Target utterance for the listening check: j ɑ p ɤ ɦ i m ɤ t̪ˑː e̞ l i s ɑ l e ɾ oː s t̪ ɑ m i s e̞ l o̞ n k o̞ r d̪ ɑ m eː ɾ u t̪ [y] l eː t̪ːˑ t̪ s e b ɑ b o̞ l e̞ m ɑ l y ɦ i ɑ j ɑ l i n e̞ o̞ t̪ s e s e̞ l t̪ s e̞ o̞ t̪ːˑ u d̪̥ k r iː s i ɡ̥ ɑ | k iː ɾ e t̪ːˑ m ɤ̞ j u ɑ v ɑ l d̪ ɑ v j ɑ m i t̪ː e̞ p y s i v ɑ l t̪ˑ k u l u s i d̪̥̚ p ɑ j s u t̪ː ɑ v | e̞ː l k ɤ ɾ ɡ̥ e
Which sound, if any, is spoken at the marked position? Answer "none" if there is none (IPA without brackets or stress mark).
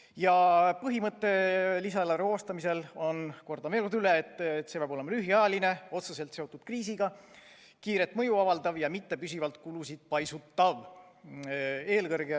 y